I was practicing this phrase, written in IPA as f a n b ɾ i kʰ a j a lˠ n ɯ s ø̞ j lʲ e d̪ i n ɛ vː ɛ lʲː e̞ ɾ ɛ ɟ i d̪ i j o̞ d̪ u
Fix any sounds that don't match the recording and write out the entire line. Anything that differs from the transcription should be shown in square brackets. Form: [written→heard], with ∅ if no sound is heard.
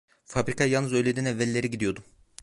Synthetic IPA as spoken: f a [n→∅] b ɾ i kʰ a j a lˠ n ɯ [s→z] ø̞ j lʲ e d̪ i n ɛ vː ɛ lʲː e̞ ɾ [ɛ→i] ɟ i d̪ i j o̞ d̪ u